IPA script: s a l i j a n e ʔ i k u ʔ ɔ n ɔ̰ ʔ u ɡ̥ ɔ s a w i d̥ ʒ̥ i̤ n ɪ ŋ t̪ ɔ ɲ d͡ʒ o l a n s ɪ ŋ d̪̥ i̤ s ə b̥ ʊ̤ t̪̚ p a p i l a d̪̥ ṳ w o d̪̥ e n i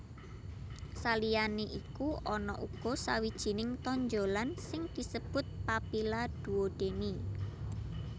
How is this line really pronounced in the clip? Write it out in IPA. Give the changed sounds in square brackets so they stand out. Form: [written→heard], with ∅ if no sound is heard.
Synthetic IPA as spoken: s a l i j a n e ʔ i k u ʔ ɔ n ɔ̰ ʔ u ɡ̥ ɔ s a w i d̥ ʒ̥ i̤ n ɪ ŋ t̪ ɔ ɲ d͡ʒ o l a n s ɪ ŋ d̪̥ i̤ s ə b̥ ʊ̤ t̪̚ p a p i l a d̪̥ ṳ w o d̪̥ e n i